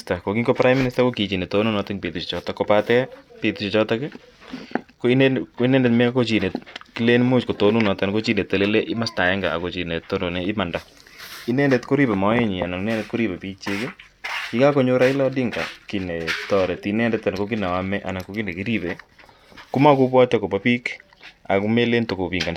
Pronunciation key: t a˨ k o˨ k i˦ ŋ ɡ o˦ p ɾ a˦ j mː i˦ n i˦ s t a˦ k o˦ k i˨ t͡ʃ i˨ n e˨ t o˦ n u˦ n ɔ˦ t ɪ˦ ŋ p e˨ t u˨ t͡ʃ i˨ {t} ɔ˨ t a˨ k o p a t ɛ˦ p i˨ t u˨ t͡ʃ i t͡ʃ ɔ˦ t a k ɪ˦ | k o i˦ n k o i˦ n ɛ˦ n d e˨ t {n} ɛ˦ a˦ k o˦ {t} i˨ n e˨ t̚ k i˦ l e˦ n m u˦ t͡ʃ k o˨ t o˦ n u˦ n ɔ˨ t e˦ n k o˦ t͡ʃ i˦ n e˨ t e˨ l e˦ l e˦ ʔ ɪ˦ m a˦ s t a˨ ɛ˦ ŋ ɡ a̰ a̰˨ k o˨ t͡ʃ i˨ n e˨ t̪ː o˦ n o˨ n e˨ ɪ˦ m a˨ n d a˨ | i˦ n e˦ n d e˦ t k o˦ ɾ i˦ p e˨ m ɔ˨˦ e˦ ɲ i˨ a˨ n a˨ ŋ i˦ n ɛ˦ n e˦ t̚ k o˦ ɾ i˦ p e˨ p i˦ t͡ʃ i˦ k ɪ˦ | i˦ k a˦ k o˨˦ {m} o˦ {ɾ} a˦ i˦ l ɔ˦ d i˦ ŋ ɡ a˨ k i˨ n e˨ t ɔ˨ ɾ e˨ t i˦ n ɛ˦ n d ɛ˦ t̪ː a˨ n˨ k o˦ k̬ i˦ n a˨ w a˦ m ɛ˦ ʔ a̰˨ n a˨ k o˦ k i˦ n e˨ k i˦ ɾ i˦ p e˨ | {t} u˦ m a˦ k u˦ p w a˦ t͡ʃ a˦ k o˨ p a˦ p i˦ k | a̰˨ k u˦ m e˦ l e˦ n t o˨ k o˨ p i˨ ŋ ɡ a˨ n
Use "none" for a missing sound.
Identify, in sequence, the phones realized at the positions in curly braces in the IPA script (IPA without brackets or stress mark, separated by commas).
t͡ʃ, m, t͡ʃ, ɲ, ɾ, k